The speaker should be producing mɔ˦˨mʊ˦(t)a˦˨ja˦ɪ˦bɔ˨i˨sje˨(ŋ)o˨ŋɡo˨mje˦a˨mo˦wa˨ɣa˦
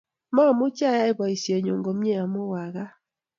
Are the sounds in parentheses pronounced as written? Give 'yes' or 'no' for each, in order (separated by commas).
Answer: no, no